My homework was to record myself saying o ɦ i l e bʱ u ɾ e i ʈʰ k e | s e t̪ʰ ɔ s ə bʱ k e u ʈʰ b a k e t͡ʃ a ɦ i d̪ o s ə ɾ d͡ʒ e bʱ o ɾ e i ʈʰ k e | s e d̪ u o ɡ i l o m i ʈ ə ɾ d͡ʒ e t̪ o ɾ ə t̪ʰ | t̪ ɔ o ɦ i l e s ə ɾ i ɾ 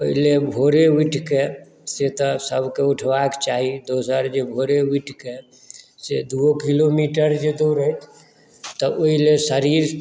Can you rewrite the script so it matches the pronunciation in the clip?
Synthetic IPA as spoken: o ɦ i l e bʱ o ɾ e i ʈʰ k e | s e t̪ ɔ s ə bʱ k e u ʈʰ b a k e t͡ʃ a ɦ i d̪ o s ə ɾ d͡ʒ e bʱ o ɾ e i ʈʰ k e | s e d̪ u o k i l o m i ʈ ə ɾ d͡ʒ e d̪ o ɾ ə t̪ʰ | t̪ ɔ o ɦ i l e s ə ɾ i ɾ